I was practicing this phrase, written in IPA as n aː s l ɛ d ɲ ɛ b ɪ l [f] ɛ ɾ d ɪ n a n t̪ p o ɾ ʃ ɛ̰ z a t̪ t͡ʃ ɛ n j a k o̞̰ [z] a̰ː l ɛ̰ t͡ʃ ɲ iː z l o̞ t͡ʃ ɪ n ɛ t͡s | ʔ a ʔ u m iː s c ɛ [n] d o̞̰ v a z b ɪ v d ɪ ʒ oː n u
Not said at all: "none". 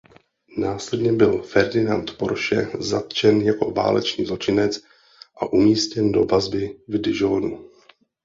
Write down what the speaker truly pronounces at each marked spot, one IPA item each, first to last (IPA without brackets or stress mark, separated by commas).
f, v, n